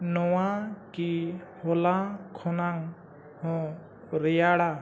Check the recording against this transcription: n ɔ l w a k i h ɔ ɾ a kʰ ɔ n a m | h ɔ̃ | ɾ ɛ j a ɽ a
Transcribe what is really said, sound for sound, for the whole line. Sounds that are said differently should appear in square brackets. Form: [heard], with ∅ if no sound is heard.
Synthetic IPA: n ɔ [∅] w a k i h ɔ [l] a kʰ ɔ n a [ŋ] | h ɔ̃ | ɾ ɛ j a ɽ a